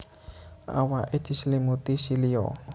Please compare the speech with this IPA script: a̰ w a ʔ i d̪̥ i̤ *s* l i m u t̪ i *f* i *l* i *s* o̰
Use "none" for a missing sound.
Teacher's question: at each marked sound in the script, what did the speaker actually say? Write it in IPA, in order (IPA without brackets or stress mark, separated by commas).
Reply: s, s, l, none